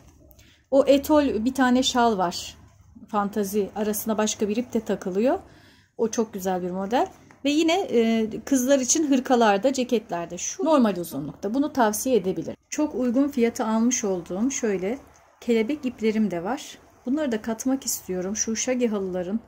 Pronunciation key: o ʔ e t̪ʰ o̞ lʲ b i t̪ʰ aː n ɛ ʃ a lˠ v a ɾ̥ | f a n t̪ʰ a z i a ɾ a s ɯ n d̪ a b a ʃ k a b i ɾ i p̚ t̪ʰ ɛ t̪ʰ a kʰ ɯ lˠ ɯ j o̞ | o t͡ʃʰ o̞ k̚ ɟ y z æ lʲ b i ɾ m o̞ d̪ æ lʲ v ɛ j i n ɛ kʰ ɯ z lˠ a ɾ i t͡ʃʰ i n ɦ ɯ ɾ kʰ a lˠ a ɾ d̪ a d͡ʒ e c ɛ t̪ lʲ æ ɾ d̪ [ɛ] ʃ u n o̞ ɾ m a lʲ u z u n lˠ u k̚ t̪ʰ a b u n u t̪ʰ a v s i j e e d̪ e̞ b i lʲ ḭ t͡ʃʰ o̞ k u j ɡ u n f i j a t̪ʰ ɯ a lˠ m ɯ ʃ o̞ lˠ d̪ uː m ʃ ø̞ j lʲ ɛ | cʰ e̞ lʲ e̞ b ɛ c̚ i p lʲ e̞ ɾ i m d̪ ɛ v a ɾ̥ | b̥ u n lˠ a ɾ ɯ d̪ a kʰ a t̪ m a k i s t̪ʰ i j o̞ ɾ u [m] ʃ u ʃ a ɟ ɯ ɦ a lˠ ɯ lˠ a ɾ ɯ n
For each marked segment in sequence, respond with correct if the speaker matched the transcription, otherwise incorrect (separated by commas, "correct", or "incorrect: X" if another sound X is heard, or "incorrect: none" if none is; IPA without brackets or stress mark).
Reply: correct, correct